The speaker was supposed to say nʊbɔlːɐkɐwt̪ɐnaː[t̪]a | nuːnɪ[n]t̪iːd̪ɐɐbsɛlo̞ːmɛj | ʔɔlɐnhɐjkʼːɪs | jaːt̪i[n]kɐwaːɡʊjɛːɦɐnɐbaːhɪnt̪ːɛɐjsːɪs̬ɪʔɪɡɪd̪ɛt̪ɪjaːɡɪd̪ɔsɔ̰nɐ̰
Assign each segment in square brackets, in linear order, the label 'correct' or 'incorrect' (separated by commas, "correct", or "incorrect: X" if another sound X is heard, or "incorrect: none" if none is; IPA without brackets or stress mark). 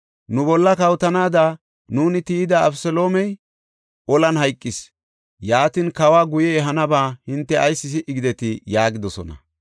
incorrect: d̪, incorrect: none, correct